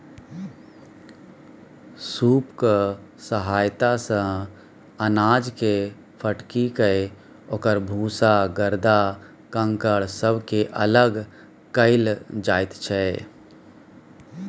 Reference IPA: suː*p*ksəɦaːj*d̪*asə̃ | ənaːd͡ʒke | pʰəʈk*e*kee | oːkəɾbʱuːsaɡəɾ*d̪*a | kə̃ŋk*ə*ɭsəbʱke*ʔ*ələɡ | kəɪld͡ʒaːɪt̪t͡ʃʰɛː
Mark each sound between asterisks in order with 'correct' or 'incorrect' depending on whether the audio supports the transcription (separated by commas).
correct, incorrect, incorrect, correct, correct, correct